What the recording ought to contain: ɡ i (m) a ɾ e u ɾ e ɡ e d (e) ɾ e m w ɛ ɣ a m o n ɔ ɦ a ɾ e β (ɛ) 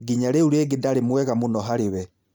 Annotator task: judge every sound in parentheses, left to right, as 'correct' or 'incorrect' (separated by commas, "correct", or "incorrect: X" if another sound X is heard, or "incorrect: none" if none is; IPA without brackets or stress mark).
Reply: incorrect: ɲ, incorrect: a, correct